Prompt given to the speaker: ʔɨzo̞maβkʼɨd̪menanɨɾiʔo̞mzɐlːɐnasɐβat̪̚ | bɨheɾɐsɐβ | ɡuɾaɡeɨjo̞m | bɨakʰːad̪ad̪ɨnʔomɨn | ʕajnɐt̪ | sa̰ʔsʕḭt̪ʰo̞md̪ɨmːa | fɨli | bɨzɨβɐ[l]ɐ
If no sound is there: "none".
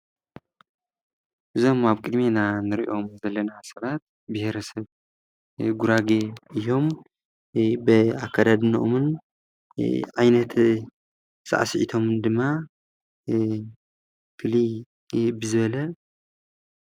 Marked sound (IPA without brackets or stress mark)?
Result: l